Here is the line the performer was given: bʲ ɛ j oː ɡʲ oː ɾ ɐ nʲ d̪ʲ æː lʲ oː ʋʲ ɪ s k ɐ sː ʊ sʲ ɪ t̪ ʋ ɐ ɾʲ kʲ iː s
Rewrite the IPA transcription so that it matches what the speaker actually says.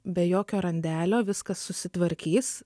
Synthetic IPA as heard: bʲ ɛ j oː kʲ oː ɾ ɐ nʲ d̪ʲ æː lʲ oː ʋʲ ɪ s k ɐ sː ʊ sʲ ɪ t̪ ʋ ɐ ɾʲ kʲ iː s